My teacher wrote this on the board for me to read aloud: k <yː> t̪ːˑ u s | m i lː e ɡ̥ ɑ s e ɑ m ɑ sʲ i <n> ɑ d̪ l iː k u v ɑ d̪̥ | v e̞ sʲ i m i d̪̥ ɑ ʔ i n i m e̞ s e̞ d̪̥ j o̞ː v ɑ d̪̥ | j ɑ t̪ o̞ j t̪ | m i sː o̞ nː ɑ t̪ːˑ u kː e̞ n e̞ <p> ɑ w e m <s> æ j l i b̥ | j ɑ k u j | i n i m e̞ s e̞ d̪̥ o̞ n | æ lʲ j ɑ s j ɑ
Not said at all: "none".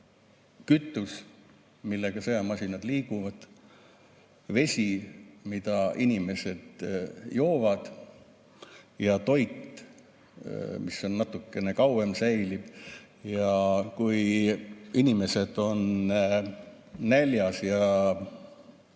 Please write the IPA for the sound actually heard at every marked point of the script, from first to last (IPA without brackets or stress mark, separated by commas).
y, n, k, s